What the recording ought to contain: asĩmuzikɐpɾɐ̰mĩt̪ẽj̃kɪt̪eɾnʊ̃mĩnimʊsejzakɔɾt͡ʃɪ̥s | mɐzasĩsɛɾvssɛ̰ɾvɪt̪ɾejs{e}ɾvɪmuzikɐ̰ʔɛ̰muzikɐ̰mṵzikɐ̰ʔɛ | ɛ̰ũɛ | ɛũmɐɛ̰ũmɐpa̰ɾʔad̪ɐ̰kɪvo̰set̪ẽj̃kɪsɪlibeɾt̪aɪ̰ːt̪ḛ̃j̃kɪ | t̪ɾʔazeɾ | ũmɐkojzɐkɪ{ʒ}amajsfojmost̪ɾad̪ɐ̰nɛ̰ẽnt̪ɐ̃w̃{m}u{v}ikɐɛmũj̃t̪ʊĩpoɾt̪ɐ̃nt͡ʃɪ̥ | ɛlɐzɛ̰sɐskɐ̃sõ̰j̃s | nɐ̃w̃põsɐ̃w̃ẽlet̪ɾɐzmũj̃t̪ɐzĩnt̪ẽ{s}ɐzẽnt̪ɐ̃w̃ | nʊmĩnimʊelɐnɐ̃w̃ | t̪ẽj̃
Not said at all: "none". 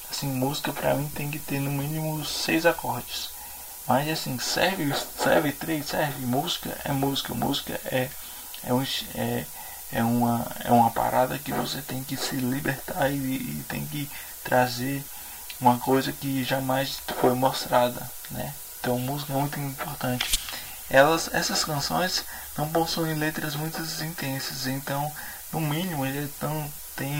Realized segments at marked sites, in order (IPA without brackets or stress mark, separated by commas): ɛ, ʒ, m, z, s